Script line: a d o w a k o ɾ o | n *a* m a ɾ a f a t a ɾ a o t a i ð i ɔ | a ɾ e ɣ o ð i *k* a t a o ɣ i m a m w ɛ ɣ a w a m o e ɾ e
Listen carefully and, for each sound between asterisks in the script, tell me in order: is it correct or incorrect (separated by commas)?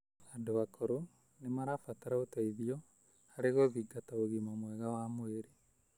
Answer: incorrect, incorrect